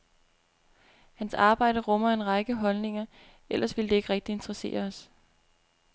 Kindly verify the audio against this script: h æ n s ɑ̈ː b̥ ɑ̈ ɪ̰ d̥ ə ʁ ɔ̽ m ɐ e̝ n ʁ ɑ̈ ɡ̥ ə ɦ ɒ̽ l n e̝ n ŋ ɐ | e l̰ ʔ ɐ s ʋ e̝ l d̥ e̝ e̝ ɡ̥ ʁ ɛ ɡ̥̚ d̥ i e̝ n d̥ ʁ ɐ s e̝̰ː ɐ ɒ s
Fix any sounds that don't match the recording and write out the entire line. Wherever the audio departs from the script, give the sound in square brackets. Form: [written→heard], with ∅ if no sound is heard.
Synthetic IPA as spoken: h æ n s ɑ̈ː b̥ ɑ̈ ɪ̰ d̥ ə ʁ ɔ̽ m ɐ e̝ n ʁ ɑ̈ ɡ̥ ə ɦ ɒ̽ l n e̝ [n→∅] ŋ ɐ | e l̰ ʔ ɐ s ʋ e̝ l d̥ e̝ e̝ ɡ̥ ʁ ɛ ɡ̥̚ d̥ i e̝ n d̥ ʁ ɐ s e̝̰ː ɐ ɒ s